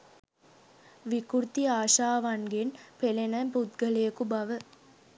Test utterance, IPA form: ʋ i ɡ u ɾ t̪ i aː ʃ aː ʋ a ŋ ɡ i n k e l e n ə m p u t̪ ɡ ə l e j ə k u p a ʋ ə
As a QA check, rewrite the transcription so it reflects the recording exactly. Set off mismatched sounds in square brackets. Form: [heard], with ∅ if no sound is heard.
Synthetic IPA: ʋ i [k] u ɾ t̪ i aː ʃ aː ʋ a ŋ ɡ [e] n [p] e l e n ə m p u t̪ ɡ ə l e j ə k u [b] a ʋ ə